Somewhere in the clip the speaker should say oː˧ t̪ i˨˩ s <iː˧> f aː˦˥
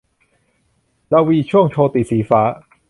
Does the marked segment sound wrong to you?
yes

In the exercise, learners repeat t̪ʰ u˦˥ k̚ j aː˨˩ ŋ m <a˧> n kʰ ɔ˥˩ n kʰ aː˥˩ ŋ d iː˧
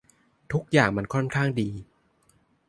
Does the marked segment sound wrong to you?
no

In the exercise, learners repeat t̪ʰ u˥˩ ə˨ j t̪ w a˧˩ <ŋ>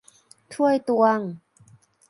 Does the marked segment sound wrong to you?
no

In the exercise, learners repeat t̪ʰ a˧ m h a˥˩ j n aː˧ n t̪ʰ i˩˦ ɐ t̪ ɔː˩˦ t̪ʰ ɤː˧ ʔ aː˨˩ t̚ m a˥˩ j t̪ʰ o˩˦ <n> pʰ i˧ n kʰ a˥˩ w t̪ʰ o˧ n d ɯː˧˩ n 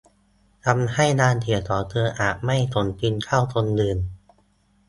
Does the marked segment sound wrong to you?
no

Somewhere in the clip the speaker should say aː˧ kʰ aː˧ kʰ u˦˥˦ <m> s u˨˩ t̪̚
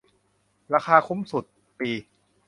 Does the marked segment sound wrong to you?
no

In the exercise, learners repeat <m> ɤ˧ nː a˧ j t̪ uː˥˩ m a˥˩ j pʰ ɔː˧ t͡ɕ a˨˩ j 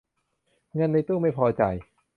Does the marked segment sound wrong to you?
yes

